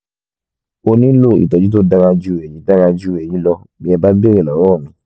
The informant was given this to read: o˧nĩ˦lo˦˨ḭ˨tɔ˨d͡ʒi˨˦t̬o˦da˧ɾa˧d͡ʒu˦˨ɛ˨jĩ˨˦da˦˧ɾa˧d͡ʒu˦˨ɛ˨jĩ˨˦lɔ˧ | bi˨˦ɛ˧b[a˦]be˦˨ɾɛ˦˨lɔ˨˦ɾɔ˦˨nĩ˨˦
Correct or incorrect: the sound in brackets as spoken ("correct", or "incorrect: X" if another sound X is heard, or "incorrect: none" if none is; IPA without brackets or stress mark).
correct